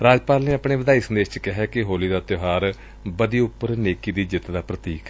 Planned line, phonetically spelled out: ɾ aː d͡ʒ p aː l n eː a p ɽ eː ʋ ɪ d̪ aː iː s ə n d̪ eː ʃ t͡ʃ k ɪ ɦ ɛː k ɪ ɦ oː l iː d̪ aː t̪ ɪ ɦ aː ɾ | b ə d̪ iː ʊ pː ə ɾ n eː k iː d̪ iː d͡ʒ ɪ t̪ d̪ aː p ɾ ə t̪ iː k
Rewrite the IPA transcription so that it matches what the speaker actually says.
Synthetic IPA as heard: ɾ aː d͡ʒ p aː l n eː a p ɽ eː ʋ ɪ d̪ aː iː s ə n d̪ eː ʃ t͡ʃ k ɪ ɦ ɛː k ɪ ɦ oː l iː d̪ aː t̪ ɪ ɦ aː ɾ | b ə d̪ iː ʊ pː ə ɾ n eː k iː d̪ iː d͡ʒ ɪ t̪ d̪ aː p ɾ ə t̪ iː k

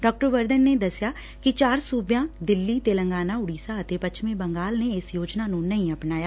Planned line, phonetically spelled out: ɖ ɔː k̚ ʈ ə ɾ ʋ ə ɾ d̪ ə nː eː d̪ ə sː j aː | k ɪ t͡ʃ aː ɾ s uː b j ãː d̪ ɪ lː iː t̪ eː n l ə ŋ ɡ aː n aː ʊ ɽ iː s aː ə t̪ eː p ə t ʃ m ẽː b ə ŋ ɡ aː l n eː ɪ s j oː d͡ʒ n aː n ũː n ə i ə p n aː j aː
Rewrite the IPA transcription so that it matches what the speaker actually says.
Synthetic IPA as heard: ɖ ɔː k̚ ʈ ə ɾ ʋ ə ɾ d̪ ə nː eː d̪ ə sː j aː | k ɪ t͡ʃ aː ɾ s uː b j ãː d̪ ɪ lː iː t̪ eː l ə ŋ ɡ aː n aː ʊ ɽ iː s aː ə t̪ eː p ə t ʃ m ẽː b ə ŋ ɡ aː l n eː ɪ s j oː d͡ʒ n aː n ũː n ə ĩ ə p n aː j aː

